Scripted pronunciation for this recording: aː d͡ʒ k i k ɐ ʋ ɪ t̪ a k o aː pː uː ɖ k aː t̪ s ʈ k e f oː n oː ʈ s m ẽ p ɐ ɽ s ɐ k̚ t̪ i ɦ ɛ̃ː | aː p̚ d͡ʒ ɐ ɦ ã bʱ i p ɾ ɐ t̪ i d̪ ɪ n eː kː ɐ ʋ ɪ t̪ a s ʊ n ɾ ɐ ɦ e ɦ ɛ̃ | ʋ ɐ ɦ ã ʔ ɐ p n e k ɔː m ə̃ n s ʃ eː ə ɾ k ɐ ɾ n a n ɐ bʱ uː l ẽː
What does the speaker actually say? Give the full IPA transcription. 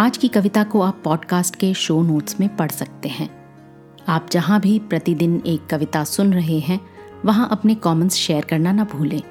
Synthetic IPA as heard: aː d͡ʒ k i k ɐ ʋ ɪ t̪ a k o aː pː ɔː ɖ k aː s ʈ k e ʃ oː n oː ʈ s m ẽ p ɐ ɽ s ɐ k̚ t̪ e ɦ ɛ̃ː | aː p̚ d͡ʒ ɐ ɦ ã bʱ i p ɾ ɐ t̪ i d̪ ɪ n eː kː ɐ ʋ ɪ t̪ a s ʊ n ɾ ɐ ɦ e ɦ ɛ̃ | ʋ ɐ ɦ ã ʔ ɐ p n e k ɔː m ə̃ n s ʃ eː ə ɾ k ɐ ɾ n a n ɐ bʱ uː l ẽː